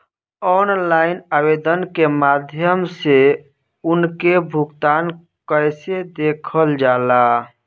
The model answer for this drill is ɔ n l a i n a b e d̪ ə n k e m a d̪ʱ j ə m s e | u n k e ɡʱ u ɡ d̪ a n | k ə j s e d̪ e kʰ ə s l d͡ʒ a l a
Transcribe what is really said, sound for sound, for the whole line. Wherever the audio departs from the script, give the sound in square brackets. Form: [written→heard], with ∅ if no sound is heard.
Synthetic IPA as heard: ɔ n l a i n a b e d̪ ə n k e m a d̪ʱ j ə m s e | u n k e [ɡʱ→bʱ] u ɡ [d̪→t̪] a n | k ə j s e d̪ e kʰ ə [s→∅] l d͡ʒ a l a